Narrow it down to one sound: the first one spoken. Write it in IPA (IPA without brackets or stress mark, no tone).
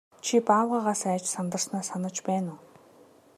t͡ɕʰ